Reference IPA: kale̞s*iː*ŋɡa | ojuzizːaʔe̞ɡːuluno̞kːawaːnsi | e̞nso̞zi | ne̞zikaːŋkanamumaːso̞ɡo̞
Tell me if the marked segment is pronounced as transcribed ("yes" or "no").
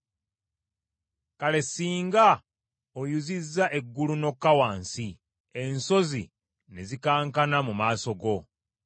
yes